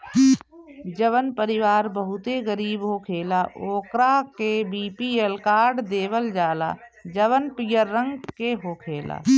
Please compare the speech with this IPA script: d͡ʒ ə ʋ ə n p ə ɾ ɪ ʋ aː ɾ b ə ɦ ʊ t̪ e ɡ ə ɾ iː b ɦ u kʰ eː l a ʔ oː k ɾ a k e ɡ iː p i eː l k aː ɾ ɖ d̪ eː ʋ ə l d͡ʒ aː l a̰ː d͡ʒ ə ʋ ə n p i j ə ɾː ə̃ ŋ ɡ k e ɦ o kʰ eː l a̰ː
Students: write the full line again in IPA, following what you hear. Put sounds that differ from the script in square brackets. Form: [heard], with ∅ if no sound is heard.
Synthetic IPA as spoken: d͡ʒ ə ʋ ə n p ə ɾ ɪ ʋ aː ɾ b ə ɦ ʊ t̪ e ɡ ə ɾ iː b ɦ [o] kʰ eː l a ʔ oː k ɾ a k e [b] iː p i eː l k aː ɾ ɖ d̪ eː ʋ ə l d͡ʒ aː l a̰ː d͡ʒ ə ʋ ə n p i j ə ɾː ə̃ ŋ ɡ k e ɦ o kʰ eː l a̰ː